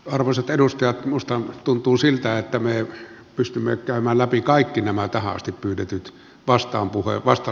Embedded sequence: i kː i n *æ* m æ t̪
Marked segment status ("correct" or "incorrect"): correct